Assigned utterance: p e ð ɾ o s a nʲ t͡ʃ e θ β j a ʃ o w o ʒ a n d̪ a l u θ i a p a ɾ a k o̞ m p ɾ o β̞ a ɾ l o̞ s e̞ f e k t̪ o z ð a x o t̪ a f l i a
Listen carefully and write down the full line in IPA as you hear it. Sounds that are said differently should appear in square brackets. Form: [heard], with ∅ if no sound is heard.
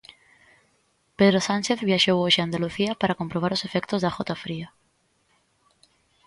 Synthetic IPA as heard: p e ð ɾ o s a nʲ t͡ʃ e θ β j a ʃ o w o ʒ a n d̪ a l u θ i a p a ɾ a k o̞ m p ɾ o β̞ a ɾ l o̞ s e̞ f e k t̪ o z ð a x o t̪ a f [ɾ] i a